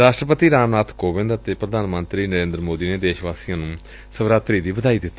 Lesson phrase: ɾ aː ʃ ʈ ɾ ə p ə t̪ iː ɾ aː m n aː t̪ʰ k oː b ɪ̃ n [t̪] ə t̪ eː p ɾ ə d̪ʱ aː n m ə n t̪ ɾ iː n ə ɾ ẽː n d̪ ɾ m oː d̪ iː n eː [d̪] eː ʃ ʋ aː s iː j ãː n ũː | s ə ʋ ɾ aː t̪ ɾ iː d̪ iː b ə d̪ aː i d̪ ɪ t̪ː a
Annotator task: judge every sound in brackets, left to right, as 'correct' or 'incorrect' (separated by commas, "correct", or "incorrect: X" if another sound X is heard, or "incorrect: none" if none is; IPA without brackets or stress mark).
incorrect: d̪, correct